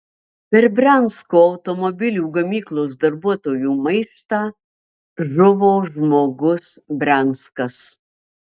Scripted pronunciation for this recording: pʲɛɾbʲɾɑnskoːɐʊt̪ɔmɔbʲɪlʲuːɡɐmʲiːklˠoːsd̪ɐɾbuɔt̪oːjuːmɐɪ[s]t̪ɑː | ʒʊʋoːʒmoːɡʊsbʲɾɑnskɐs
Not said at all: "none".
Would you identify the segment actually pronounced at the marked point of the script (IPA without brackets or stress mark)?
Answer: ʃ